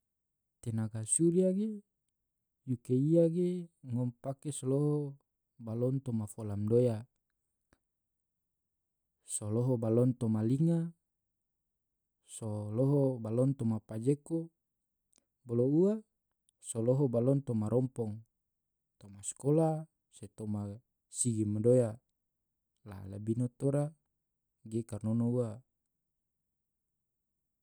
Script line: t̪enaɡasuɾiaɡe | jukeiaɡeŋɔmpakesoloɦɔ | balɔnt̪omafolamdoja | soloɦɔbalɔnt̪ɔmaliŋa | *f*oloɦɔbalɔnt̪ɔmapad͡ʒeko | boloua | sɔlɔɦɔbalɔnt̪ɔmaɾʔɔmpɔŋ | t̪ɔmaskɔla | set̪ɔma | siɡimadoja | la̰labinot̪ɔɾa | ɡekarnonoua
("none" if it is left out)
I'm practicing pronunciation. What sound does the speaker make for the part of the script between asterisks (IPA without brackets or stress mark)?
s